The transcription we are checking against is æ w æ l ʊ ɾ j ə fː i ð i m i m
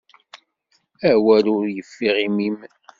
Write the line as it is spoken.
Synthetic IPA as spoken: æ w æ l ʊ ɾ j ə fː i ʁ i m i m

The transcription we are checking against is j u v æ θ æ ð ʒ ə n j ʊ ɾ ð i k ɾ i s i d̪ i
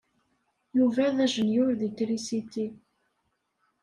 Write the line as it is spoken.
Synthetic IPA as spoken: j u v æ ð æ ʒ ə n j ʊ ɾ ð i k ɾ i s i t̪ i

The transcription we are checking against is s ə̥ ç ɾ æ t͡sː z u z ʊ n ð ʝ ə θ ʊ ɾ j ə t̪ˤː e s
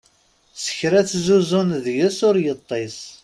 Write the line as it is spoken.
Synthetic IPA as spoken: s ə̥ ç ɾ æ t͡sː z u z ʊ n ð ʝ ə s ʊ ɾ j ə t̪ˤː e s

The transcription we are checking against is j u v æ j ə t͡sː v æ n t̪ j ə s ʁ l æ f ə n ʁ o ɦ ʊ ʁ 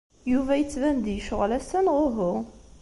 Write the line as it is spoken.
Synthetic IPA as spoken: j u v æ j ə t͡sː v æ n d̪ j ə ʃ ʁ l æ s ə n ʁ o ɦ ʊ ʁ

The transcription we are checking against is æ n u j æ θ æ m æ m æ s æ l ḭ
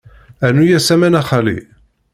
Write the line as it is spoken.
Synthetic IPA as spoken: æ n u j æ s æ m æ n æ χ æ l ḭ

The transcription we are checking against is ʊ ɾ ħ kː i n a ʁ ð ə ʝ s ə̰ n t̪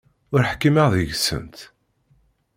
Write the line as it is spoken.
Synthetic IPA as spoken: ʊ ɾ ħ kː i m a ʁ ð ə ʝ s ə̰ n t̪

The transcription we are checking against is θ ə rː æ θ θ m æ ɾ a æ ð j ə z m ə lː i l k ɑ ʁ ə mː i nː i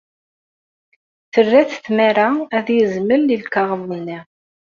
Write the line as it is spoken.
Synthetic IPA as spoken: θ ə rː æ θ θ m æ ɾ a æ ð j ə z m ə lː i l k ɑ ʁ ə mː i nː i

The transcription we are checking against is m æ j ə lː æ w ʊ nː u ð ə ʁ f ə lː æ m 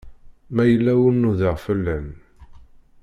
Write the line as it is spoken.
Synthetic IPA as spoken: m æ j ə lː æ w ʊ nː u ð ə ʁ f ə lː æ n

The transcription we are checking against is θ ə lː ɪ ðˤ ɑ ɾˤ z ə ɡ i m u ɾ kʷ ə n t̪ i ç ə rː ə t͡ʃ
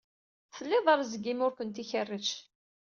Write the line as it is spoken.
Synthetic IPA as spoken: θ ə lː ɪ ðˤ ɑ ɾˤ z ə ɡ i m ʊ ɾ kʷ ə n t̪ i ç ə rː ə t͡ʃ

